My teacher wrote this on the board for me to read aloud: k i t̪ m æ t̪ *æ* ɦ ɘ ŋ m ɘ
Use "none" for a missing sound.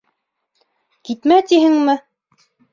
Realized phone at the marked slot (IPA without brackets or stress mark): i